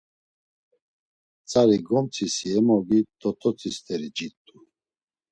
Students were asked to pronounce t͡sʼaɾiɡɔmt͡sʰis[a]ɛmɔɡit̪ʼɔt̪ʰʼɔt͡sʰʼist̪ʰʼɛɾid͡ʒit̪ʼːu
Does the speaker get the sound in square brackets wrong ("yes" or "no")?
yes